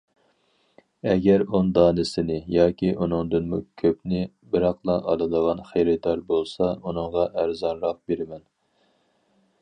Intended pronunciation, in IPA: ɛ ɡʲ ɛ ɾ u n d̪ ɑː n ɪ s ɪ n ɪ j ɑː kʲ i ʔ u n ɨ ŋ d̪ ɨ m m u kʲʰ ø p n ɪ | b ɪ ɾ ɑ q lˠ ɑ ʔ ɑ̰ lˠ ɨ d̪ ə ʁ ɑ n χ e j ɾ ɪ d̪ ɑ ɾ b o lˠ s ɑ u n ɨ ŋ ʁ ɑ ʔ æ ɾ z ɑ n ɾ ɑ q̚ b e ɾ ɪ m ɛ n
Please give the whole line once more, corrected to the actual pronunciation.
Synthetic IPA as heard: ɛ ɡʲ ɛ ɾ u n d̪ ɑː n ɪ s ɪ n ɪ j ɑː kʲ i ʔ u n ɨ ŋ d̪ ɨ n m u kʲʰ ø p n ɪ | b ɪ ɾ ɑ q lˠ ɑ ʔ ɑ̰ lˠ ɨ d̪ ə ʁ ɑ n χ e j ɾ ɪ d̪ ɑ ɾ b o lˠ s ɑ u n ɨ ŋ ʁ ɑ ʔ æ ɾ z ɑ n ɾ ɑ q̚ b e ɾ ɪ m ɛ n